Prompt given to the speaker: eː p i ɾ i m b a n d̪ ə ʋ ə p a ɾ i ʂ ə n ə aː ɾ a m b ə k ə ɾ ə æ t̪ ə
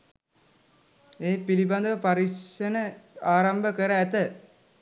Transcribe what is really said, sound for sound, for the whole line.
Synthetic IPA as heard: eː p i l i b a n d̪ ə ʋ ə p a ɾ i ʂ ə n ə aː ɾ a m b ə k ə ɾ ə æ t̪ ə

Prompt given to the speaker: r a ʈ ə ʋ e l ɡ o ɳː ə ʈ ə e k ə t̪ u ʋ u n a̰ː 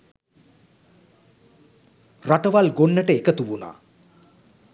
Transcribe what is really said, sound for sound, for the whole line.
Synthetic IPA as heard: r a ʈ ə ʋ a l ɡ o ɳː ə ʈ ə e k ə t̪ u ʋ u n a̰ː

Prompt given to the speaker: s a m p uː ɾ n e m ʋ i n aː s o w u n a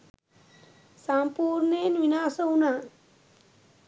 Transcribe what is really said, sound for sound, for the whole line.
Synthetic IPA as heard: s a m p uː ɾ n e n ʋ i n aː s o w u n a

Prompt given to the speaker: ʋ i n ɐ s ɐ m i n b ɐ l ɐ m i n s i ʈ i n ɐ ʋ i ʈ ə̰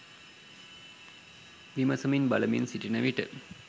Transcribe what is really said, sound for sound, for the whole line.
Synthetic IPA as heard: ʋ i m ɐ s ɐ m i n b ɐ l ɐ m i n s i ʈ i n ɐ ʋ i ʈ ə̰

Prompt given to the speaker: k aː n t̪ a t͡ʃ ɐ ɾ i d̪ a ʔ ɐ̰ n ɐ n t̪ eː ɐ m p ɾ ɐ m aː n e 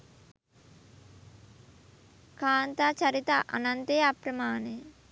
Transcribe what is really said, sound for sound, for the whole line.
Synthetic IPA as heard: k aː n t̪ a t͡ʃ ɐ ɾ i t̪ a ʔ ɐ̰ n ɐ n t̪ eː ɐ p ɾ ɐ m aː n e

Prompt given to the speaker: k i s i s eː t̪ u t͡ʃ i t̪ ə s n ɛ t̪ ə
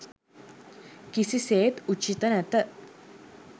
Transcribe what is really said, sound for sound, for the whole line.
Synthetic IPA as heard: k i s i s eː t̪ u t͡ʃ i t̪ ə n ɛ t̪ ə

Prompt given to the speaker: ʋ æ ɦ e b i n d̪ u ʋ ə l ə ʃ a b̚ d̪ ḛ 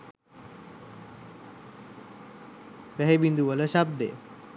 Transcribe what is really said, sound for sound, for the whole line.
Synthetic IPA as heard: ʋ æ ɦ e b i n d̪ u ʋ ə l ə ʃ a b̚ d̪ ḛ

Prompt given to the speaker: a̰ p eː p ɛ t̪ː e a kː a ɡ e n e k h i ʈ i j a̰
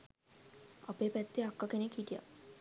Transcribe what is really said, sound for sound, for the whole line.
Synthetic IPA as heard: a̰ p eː p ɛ t̪ː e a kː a k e n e k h i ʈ i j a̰

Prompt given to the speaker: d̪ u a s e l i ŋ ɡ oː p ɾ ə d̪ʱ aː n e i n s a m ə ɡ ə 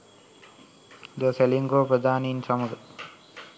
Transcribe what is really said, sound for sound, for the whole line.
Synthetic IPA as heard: d̪ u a s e l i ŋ ɡ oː p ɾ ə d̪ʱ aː n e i n s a m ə ɡ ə

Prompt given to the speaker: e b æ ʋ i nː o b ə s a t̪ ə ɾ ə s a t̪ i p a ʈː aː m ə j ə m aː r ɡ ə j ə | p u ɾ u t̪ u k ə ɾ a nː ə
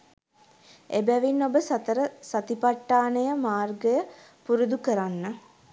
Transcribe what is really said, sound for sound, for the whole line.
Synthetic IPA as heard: e b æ ʋ i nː o b ə s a t̪ ə ɾ ə s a t̪ i p a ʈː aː n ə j ə m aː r ɡ ə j ə | p u ɾ u d̪ u k ə ɾ a nː ə

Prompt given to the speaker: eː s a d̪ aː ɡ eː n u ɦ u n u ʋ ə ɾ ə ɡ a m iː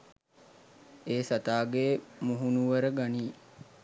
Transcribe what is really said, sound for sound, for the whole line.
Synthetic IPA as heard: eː s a t̪ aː ɡ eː m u ɦ u n u ʋ ə ɾ ə ɡ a n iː

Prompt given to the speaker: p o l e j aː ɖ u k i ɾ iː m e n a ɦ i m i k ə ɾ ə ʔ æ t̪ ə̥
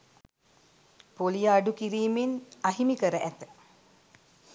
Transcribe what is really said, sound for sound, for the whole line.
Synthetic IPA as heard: p o l i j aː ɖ u k i ɾ iː m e n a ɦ i m i k ə ɾ ə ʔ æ t̪ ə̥

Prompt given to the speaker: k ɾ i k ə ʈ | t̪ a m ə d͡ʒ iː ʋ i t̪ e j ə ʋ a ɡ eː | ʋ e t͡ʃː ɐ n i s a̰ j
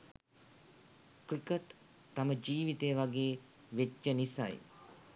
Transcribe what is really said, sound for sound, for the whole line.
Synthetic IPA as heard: k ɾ i k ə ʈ | t̪ a m ə d͡ʒ iː ʋ i t̪ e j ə ʋ a ɡ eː | ʋ e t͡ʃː ə n i s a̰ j

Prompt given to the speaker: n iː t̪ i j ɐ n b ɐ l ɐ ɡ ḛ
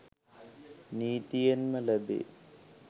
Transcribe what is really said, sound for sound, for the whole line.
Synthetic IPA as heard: n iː t̪ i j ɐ n m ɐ l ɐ b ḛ

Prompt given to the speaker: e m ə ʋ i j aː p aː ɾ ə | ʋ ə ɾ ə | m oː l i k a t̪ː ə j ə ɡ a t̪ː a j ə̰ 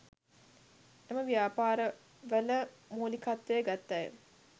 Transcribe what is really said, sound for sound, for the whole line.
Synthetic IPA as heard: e m ə ʋ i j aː p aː ɾ ə | ʋ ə l ə | m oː l i k a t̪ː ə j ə ɡ a t̪ː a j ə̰

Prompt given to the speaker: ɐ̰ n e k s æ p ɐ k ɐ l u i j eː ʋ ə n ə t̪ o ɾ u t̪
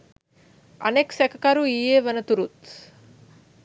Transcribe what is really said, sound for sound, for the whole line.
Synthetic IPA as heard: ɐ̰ n e k s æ k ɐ k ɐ ɾ u i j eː ʋ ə n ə t̪ u ɾ u t̪

